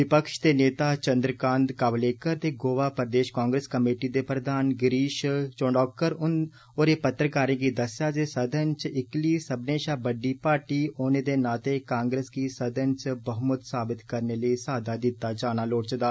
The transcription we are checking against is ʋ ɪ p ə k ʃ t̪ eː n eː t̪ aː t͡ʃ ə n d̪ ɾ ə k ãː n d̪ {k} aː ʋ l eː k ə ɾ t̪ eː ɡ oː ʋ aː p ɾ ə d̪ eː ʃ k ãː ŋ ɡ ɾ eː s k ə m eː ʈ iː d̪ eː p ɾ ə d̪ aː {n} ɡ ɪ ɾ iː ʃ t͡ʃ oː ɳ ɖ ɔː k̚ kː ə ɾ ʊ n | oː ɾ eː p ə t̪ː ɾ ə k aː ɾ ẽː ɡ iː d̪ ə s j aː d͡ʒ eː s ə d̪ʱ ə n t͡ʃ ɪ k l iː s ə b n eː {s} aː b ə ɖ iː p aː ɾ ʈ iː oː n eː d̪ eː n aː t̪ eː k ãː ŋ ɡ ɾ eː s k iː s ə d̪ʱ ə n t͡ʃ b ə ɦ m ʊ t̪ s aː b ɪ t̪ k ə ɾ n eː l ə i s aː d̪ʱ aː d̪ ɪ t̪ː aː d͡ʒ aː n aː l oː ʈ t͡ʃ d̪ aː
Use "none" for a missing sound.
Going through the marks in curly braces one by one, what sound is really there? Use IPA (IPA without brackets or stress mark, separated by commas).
k, n, ʃ